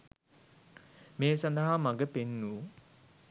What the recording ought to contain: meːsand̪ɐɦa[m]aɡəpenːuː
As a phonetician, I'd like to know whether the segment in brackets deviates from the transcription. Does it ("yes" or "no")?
no